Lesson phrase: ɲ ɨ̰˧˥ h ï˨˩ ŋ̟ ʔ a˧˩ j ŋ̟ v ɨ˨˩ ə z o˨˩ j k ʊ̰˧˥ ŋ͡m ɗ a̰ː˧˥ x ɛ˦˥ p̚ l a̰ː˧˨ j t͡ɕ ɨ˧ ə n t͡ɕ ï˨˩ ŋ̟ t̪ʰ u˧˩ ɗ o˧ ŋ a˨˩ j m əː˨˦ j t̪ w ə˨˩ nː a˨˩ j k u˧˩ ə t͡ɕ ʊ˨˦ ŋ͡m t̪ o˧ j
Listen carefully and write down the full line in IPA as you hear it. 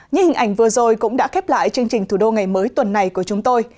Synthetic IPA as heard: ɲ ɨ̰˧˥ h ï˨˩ ŋ̟ ʔ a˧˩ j ŋ̟ v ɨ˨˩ ə z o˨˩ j k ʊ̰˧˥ ŋ͡m ɗ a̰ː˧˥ x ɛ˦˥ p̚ l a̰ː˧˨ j t͡ɕ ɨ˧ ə ŋ t͡ɕ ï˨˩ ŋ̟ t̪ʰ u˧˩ ɗ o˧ ŋ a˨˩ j m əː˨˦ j t̪ w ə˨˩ nː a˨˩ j k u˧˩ ə t͡ɕ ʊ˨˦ ŋ͡m t̪ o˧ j